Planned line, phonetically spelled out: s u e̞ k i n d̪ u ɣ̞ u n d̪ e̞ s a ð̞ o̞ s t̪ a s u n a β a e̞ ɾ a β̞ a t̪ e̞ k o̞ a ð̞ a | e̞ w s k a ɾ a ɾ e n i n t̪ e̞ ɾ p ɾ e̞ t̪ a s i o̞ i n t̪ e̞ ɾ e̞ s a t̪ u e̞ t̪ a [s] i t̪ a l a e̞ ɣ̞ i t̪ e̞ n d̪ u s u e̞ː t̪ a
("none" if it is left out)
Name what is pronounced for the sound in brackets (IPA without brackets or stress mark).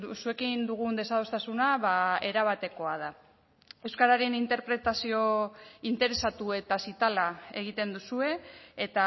s